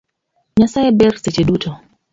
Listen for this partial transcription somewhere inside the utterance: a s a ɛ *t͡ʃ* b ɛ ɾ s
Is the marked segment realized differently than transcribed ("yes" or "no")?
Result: yes